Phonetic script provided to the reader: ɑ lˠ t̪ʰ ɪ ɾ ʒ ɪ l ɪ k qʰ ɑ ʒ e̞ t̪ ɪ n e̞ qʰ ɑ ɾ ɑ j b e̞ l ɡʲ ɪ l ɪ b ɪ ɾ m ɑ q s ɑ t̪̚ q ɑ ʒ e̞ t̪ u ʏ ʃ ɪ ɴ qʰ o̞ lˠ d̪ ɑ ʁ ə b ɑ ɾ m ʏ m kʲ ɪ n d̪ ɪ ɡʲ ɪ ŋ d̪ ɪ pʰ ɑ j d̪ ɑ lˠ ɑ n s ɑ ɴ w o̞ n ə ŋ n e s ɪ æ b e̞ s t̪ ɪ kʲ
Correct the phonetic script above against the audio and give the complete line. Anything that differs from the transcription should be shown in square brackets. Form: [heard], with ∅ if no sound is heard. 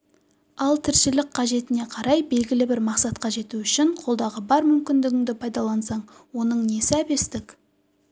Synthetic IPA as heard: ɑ lˠ t̪ʰ ɪ ɾ [ʃ] ɪ l ɪ k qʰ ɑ ʒ e̞ t̪ ɪ n e̞ qʰ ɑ ɾ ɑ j b e̞ l ɡʲ ɪ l ɪ b ɪ ɾ m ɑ q s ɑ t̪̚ q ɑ ʒ e̞ t̪ u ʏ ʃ ɪ ɴ qʰ o̞ lˠ d̪ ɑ ʁ ə b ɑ ɾ m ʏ m kʲ ɪ n d̪ ɪ ɡʲ ɪ ŋ d̪ ɪ pʰ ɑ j d̪ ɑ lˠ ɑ n s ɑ ɴ w o̞ n ə [ɴ] n e s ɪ æ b e̞ s t̪ ɪ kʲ